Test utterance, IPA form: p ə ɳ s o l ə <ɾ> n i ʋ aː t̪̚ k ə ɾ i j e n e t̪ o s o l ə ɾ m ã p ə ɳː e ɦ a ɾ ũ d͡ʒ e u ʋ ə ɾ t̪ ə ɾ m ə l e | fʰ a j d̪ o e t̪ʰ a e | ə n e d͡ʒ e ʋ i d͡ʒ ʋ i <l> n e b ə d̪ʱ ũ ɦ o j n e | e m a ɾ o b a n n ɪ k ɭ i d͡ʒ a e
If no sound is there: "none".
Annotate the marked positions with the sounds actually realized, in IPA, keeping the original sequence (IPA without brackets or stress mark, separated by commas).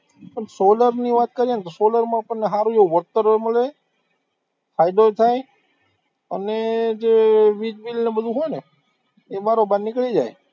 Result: ɾ, l